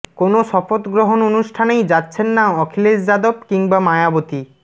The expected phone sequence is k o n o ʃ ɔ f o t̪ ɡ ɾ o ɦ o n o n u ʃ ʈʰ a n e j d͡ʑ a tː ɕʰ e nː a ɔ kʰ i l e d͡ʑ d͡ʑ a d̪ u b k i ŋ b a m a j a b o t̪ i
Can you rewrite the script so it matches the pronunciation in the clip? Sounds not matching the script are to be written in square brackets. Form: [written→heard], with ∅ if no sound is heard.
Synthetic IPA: k o n o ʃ ɔ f o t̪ ɡ ɾ o ɦ o n o n u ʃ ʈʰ a n e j d͡ʑ a tː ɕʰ e nː a ɔ kʰ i l e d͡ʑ d͡ʑ a d̪ [u→o] b k i ŋ b a m a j a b o t̪ i